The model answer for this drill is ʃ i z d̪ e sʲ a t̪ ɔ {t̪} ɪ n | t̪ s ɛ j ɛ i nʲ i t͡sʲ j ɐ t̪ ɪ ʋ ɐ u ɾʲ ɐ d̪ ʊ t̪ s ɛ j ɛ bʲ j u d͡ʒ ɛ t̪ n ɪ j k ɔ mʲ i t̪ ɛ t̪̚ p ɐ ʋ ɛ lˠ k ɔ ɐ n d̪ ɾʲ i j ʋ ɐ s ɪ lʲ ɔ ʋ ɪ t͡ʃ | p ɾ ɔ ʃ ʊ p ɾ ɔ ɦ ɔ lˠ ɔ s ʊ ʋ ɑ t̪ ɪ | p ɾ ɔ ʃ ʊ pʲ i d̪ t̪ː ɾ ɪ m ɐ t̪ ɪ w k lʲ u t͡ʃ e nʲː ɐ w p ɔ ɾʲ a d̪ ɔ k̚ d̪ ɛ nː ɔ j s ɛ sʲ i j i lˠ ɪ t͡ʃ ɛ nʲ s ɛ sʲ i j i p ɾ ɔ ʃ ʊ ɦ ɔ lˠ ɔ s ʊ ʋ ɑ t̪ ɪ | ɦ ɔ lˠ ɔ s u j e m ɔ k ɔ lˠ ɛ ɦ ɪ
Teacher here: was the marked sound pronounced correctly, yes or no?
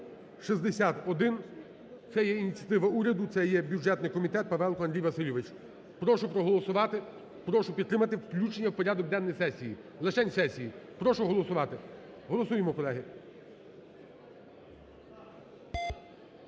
no